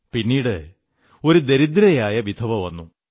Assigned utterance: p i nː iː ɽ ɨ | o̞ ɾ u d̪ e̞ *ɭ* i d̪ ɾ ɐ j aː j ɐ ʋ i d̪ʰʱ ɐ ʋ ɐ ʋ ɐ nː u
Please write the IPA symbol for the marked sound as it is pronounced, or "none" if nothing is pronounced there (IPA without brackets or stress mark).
ɾ